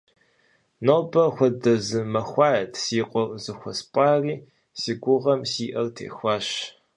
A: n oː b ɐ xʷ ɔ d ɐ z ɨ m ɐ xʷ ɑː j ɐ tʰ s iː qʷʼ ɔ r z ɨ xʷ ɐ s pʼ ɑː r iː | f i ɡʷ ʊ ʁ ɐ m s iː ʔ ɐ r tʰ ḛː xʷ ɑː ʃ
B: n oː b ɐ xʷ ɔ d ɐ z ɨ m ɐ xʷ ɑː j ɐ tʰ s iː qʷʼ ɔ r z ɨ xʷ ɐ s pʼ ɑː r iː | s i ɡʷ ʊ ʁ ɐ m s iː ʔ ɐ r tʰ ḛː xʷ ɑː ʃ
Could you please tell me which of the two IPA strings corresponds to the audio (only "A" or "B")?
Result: B